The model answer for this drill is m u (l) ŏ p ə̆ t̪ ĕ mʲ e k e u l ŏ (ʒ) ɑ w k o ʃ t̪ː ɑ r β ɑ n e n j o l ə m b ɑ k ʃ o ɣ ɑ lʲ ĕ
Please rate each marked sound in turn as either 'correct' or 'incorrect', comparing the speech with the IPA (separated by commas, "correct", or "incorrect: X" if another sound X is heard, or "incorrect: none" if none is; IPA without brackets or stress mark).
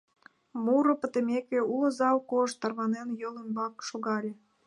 incorrect: ɾ, incorrect: z